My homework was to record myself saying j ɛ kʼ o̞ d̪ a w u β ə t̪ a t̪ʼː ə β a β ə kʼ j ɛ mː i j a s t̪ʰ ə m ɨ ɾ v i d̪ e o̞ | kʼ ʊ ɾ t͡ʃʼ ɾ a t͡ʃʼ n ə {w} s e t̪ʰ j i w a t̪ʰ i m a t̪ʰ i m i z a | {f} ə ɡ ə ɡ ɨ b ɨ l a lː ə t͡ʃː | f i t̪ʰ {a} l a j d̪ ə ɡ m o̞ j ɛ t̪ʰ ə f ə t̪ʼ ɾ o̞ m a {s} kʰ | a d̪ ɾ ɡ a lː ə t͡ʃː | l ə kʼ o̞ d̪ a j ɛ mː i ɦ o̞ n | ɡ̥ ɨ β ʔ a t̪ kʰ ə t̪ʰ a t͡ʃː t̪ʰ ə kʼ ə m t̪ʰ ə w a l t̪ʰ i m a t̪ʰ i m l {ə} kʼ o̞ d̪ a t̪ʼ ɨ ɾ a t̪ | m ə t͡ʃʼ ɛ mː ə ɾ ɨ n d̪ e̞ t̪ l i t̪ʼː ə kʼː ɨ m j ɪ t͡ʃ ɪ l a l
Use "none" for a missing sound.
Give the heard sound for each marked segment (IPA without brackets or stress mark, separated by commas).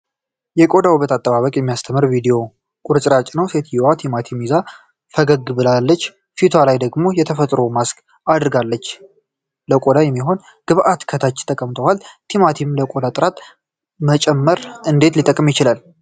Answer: w, f, a, s, ə